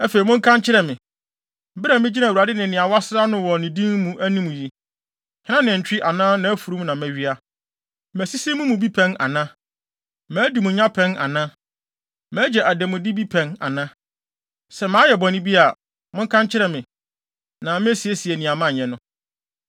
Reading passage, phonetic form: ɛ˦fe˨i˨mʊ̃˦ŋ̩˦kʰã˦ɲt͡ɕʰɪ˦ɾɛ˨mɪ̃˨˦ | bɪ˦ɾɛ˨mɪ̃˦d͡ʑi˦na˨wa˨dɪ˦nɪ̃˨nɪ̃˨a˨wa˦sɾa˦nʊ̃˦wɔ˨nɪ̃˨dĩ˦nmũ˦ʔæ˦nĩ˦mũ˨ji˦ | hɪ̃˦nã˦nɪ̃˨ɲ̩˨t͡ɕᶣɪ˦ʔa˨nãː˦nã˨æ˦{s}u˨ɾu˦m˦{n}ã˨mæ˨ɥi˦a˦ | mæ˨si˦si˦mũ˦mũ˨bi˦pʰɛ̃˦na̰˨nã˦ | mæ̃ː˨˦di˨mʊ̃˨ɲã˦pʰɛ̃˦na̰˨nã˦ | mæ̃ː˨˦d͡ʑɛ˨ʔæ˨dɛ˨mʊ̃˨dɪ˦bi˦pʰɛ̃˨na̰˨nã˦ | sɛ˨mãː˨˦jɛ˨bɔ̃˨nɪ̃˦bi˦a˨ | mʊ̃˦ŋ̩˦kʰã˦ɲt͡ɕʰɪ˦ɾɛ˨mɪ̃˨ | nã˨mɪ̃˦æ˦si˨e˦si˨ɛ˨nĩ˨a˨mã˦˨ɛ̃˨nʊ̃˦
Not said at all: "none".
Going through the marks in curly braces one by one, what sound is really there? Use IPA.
f, n

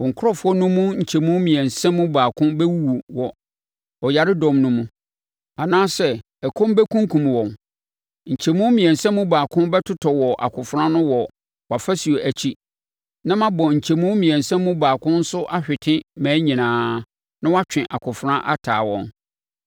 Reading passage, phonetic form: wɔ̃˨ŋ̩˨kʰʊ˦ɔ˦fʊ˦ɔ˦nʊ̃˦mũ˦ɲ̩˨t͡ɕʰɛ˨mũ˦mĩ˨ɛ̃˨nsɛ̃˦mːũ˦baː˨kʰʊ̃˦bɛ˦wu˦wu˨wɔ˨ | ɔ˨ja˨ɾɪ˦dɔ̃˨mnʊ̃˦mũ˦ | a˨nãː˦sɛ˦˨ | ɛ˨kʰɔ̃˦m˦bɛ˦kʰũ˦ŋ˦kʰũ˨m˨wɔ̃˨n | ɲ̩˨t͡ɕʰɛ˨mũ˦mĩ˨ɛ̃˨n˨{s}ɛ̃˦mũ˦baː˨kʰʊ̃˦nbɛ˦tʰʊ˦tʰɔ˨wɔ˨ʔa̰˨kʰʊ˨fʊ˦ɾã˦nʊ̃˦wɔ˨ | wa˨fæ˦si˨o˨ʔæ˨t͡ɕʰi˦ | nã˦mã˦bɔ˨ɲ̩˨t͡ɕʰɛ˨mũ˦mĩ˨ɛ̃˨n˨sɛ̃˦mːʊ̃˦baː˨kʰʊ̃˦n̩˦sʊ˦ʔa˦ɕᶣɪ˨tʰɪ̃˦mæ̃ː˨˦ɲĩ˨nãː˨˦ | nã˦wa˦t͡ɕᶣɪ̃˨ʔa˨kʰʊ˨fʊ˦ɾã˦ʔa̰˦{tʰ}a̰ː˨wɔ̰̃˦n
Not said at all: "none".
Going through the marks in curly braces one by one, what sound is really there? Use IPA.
s, tʰ

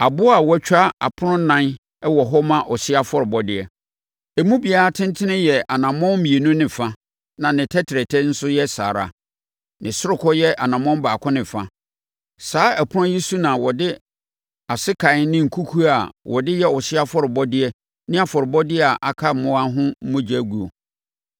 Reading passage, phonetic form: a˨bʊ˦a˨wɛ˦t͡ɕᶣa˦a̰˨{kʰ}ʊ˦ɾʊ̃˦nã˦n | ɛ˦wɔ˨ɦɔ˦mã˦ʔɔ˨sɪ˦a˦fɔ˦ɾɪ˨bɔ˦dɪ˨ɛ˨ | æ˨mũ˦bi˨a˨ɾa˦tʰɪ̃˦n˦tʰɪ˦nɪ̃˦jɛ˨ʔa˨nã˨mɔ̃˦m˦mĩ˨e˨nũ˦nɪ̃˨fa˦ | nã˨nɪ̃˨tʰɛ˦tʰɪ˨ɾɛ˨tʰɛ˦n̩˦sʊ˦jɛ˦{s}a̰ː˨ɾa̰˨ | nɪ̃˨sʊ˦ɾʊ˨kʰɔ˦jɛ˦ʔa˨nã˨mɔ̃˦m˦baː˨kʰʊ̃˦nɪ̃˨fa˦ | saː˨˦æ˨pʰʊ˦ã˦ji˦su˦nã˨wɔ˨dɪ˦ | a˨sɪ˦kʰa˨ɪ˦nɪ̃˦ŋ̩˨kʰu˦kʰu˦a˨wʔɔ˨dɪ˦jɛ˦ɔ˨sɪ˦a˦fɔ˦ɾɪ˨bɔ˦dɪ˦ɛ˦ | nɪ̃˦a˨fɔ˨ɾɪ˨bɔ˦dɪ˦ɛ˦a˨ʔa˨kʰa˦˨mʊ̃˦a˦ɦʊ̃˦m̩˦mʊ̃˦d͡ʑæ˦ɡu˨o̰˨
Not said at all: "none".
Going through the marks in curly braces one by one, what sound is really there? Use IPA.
pʰ, s

